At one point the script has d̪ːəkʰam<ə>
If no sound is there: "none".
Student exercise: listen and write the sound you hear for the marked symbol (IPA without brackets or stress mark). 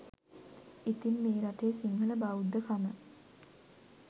ə